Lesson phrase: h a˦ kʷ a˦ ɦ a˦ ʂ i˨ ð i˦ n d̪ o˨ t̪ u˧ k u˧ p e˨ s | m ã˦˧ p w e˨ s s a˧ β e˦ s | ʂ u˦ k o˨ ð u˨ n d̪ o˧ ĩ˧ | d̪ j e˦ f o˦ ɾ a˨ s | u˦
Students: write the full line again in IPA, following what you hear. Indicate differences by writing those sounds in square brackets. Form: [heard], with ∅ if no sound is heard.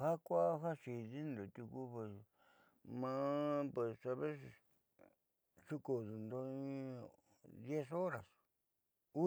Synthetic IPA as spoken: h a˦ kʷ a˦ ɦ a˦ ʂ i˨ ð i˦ n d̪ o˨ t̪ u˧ k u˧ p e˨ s | m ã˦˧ p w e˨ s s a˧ β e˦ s | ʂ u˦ k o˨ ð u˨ n d̪ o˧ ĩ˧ | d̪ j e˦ [s] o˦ ɾ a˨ s | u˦